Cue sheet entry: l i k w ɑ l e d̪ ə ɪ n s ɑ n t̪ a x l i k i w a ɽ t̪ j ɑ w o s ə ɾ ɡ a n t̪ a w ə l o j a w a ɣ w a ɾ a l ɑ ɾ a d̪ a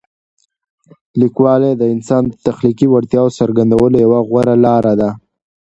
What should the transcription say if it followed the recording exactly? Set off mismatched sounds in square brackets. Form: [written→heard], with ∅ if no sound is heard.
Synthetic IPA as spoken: l i k w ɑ l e d̪ ə ɪ n s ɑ n t̪ a x l i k i w a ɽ t̪ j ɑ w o s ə ɾ ɡ a n [t̪→d̪] a w ə l o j a w a ɣ w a ɾ a l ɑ ɾ a d̪ a